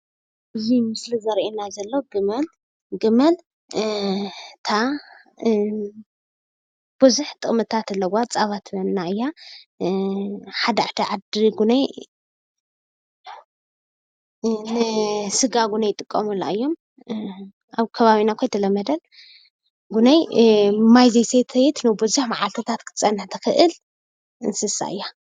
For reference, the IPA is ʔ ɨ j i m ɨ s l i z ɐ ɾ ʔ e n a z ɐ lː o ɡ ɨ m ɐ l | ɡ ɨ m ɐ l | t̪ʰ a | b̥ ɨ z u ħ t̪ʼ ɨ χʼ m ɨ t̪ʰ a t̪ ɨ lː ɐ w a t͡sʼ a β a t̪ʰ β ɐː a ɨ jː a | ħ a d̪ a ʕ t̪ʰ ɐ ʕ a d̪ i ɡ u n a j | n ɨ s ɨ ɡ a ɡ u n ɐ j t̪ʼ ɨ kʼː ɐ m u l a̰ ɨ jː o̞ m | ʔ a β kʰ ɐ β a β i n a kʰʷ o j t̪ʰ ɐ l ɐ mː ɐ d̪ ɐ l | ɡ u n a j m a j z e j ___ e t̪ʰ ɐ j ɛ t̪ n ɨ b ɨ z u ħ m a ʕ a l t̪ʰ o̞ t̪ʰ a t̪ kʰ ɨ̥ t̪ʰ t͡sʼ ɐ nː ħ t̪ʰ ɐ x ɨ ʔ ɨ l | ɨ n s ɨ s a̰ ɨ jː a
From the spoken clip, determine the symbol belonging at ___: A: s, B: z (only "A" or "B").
A